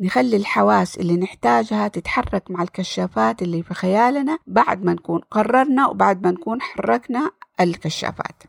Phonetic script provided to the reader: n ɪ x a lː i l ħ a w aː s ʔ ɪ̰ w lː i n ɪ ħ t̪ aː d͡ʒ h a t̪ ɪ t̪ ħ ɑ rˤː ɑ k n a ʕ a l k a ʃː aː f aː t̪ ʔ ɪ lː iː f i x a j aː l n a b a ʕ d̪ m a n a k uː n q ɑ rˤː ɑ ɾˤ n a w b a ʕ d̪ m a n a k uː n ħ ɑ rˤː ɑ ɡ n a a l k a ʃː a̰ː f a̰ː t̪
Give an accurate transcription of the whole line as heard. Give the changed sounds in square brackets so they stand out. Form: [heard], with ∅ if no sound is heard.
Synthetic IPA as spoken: n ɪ x a lː i l ħ a w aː s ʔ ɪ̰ [∅] lː i n ɪ ħ t̪ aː d͡ʒ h a t̪ ɪ t̪ ħ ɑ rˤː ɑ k [m] a ʕ a l k a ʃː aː f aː t̪ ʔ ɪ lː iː f i x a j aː l n a b a ʕ d̪ m a n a k uː n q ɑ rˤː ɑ ɾˤ n a w b a ʕ d̪ m a n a k uː n ħ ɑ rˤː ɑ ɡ n a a l k a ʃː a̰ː f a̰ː t̪